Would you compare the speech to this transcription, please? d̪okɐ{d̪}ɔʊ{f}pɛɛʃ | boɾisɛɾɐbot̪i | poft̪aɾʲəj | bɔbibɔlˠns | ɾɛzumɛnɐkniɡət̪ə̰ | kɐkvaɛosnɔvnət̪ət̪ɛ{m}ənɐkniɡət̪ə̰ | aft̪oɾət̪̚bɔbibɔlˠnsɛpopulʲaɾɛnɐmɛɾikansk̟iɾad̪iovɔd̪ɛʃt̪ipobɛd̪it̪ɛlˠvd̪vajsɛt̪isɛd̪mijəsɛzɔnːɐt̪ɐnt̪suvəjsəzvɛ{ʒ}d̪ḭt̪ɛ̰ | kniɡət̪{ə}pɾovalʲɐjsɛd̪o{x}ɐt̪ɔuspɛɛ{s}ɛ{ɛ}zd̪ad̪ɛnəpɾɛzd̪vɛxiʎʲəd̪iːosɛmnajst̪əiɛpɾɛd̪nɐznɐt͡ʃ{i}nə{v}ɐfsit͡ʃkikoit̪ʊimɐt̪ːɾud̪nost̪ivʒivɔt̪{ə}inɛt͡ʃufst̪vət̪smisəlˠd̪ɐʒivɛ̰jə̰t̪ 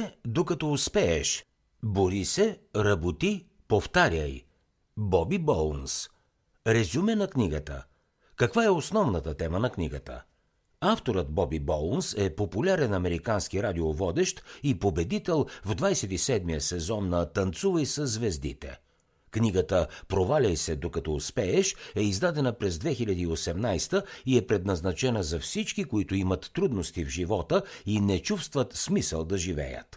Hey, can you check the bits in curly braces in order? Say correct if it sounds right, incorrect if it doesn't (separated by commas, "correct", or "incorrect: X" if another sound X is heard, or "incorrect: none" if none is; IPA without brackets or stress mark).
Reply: incorrect: t̪, incorrect: s, correct, incorrect: z, correct, incorrect: k, incorrect: ʃ, incorrect: i, incorrect: ɛ, incorrect: z, correct